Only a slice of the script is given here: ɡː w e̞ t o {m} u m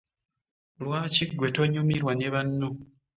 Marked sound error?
yes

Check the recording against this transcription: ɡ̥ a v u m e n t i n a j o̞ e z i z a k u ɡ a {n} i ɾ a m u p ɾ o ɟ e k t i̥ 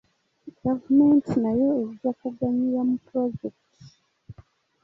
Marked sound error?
yes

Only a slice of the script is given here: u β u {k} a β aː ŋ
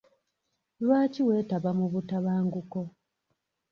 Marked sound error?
yes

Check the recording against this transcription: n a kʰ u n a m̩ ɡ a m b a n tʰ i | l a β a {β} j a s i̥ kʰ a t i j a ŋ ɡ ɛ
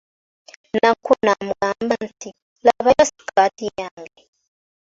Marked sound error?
yes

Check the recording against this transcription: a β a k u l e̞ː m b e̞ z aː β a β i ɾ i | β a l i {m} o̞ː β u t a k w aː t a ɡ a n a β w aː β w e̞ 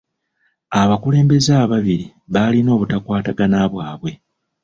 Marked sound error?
yes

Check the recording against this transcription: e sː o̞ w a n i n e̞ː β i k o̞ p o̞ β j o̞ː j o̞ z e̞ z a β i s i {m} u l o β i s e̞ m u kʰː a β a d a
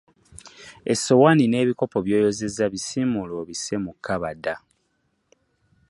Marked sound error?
no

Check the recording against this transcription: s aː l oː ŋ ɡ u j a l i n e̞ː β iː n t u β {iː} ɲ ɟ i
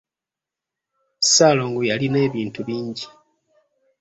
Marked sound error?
no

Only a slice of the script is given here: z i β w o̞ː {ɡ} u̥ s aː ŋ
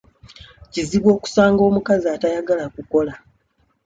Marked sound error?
yes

